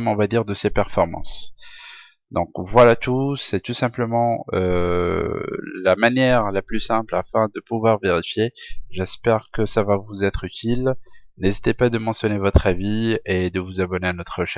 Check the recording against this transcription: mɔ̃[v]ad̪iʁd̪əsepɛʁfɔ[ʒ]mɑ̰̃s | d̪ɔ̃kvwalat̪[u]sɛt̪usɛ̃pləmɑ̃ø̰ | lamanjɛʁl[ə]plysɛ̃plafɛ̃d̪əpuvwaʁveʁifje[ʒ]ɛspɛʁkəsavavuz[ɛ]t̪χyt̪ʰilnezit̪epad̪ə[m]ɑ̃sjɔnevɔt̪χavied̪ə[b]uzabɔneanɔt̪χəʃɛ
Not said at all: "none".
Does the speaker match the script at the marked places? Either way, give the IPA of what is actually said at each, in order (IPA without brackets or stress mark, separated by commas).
v, ʁ, u, a, ʒ, ɛ, m, v